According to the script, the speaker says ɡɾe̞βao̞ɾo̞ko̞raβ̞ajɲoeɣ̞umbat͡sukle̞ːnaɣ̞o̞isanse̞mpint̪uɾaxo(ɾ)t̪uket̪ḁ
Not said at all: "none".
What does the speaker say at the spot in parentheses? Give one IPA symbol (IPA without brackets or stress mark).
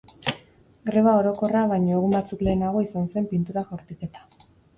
ɾ